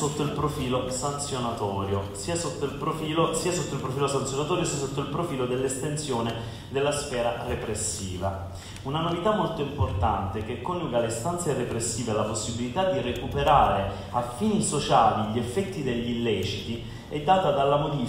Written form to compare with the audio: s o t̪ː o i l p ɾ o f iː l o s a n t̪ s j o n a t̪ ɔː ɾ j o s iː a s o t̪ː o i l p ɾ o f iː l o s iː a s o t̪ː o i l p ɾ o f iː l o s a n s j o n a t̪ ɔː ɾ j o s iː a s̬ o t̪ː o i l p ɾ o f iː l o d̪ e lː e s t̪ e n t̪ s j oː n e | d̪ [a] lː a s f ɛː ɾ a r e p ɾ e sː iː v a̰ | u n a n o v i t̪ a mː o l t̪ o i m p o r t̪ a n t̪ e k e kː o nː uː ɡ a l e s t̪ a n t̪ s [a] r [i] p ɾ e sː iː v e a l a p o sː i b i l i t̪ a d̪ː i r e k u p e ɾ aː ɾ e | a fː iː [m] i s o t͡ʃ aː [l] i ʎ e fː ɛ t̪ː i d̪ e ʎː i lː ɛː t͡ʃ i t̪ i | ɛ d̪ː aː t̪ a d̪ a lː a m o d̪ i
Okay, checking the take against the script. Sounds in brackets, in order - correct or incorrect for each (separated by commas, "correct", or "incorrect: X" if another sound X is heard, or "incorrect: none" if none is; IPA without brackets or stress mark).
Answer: incorrect: e, incorrect: e, incorrect: e, incorrect: n, correct